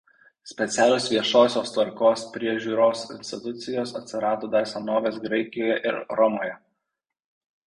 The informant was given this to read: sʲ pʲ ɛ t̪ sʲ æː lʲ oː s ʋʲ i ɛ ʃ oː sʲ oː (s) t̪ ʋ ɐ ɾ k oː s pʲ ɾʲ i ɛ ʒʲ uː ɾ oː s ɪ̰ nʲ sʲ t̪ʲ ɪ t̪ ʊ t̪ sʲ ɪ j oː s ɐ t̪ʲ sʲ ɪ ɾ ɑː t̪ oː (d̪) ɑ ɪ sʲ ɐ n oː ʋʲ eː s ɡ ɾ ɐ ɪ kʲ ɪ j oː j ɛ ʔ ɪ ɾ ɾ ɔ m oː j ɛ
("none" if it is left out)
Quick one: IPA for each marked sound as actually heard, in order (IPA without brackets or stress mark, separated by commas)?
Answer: s, d̪